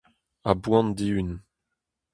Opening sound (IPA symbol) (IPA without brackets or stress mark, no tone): a